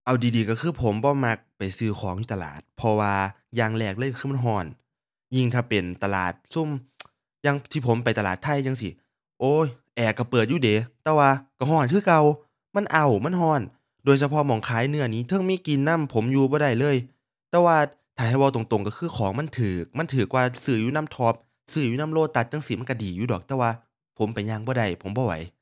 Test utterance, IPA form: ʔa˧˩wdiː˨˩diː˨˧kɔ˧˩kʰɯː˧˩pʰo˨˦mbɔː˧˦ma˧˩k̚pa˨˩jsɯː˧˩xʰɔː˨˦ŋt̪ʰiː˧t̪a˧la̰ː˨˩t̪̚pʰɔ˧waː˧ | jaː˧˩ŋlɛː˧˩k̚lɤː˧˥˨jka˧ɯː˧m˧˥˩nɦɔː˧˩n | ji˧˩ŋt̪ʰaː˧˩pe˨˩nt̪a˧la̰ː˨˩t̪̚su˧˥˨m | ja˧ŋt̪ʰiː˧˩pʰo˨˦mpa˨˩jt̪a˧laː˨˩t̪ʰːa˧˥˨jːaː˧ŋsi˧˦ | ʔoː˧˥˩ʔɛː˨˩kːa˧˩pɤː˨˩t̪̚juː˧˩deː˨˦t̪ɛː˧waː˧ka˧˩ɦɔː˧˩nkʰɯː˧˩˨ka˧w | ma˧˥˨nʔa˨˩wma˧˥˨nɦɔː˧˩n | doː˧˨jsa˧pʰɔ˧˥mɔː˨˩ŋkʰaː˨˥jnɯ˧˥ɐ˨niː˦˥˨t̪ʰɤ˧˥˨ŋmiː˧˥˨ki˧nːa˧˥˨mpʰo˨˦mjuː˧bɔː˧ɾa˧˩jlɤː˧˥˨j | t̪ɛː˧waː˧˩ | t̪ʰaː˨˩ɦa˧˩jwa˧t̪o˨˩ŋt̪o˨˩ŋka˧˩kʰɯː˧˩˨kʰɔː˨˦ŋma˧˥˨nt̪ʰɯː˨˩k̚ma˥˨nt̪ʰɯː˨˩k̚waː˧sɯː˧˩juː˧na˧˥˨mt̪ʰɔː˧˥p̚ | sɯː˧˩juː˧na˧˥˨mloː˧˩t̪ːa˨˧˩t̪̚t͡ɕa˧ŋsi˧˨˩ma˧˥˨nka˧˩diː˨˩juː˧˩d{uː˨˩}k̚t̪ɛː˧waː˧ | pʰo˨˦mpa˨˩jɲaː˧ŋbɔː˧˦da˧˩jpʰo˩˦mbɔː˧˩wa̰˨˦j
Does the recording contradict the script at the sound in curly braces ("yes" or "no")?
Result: yes